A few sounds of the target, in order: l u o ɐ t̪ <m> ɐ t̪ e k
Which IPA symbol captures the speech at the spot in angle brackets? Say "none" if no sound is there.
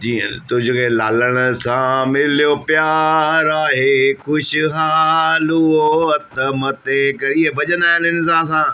m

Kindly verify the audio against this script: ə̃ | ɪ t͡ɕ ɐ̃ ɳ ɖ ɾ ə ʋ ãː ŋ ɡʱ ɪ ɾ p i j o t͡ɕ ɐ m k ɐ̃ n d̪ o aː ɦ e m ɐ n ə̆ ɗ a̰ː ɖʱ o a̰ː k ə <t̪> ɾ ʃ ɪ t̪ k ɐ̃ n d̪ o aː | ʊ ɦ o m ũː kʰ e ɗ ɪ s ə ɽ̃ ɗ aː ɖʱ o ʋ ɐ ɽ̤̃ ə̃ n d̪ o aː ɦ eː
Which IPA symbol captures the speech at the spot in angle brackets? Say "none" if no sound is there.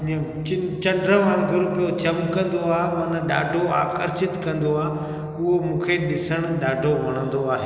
none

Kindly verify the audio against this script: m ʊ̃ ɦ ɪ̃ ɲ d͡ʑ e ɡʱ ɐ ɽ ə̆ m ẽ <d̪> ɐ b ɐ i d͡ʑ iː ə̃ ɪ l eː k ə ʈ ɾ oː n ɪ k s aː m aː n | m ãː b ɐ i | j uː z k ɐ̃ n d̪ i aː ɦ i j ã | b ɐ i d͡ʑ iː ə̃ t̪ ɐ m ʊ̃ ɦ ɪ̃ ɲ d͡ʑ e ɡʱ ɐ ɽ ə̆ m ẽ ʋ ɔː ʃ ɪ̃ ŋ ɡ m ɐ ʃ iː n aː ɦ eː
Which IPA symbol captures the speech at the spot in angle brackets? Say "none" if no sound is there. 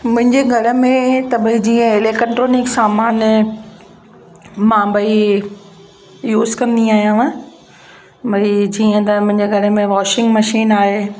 t̪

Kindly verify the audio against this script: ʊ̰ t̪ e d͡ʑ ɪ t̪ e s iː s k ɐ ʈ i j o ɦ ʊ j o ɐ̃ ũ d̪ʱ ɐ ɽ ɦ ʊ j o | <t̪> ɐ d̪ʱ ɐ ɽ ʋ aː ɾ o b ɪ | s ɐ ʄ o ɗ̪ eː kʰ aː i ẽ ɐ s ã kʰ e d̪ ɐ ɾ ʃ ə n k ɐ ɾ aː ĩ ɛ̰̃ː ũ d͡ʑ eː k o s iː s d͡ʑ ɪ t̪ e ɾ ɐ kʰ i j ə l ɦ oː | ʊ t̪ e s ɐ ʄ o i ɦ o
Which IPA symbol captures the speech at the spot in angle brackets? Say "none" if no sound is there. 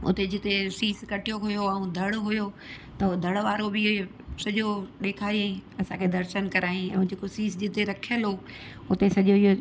t̪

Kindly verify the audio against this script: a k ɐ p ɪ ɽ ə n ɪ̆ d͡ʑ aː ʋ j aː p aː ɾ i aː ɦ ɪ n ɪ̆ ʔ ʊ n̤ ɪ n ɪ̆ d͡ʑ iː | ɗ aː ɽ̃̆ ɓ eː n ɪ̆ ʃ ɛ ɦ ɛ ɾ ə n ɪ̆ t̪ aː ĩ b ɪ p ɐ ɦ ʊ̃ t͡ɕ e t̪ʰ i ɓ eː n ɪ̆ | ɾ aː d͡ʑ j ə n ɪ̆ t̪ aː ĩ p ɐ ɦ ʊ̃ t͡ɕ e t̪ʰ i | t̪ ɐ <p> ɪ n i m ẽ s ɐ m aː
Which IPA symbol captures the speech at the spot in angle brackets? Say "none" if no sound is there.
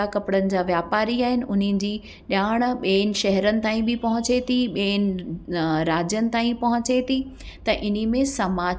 ʔ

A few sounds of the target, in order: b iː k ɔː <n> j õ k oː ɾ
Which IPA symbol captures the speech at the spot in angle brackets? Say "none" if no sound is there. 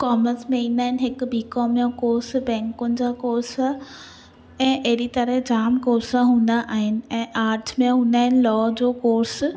m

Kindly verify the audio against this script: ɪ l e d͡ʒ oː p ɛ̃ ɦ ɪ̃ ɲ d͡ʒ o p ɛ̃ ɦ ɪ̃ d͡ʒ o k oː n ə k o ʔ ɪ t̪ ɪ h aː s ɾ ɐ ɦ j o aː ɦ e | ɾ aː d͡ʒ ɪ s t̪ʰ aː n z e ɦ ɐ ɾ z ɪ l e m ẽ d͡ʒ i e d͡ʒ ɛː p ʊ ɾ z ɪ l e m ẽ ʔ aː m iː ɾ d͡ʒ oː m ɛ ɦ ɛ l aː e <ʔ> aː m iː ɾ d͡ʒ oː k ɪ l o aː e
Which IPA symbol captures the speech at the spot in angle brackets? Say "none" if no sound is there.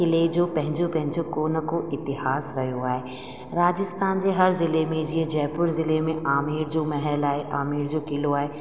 ʔ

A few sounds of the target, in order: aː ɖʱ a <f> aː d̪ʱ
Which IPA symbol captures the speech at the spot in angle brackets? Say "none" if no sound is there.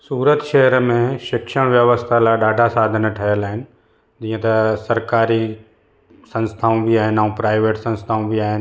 s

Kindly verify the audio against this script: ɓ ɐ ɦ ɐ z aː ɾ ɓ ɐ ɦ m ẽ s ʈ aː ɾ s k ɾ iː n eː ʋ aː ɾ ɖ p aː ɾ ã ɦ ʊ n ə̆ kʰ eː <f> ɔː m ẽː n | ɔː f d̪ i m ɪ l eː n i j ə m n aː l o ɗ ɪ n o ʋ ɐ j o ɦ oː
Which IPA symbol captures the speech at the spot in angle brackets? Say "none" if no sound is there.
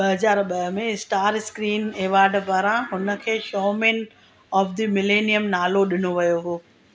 ʃ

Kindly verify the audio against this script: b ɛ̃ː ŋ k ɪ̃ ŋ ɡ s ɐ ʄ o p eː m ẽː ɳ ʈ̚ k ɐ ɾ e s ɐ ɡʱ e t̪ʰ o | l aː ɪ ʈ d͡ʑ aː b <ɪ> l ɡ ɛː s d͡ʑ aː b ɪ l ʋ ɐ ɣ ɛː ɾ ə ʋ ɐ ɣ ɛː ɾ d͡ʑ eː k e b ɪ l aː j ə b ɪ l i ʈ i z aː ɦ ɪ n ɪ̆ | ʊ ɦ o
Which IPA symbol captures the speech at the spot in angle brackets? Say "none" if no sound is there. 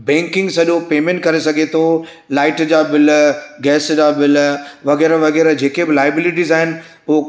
ɪ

